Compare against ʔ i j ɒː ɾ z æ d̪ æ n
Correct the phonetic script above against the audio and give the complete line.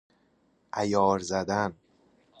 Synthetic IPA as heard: ʔ æ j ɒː ɾ z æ d̪ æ n